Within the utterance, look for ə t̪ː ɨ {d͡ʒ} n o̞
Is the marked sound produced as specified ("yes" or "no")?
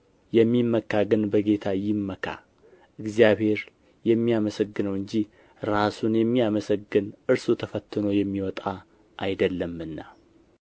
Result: no